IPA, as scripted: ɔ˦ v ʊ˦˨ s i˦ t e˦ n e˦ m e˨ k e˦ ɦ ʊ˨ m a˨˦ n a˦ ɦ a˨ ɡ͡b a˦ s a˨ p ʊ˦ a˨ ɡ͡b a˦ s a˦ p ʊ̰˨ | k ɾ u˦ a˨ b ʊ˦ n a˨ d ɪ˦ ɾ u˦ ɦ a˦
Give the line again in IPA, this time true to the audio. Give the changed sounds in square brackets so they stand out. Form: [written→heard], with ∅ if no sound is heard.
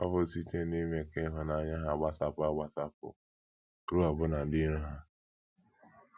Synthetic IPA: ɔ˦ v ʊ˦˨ s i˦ t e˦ n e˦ m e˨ k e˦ ɦ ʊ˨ [m→n] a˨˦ [n→ɲ] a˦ ɦ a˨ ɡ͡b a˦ s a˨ p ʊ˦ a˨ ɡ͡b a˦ s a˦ p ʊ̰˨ | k ɾ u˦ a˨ b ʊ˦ n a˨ d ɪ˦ ɾ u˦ ɦ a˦